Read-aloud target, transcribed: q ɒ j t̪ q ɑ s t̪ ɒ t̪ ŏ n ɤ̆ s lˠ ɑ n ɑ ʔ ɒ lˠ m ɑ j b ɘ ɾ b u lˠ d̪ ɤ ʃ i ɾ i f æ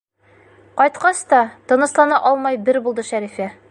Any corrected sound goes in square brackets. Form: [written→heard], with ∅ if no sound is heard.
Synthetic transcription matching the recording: q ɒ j t̪ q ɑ s t̪ ɒ t̪ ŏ n ɤ̆ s lˠ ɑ n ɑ ʔ ɒ lˠ m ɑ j b ɘ ɾ b u lˠ d̪ ɤ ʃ [i→æ] ɾ i f æ